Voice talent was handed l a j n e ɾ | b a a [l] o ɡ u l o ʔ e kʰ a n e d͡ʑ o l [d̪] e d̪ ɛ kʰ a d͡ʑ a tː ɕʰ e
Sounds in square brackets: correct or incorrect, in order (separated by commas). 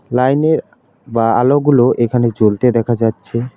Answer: correct, incorrect